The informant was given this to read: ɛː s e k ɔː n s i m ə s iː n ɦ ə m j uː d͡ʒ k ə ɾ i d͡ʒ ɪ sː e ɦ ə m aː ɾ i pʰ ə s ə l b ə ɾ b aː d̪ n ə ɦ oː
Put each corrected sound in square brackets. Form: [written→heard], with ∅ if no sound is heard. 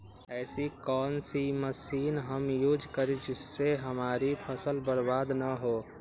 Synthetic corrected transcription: ɛː s [e→i] k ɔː n s i m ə s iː n ɦ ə m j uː d͡ʒ k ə ɾ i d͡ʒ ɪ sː e ɦ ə m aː ɾ i pʰ ə s ə l b ə ɾ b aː d̪ n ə ɦ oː